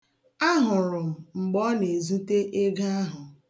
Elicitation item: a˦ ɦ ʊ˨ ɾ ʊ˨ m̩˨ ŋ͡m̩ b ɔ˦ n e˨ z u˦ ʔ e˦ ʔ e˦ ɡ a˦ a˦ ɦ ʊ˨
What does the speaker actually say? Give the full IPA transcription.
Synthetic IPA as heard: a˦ ɦ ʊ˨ ɾ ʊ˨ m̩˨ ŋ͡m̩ ɡ͡b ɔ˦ n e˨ z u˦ t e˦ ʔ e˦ ɡ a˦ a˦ ɦ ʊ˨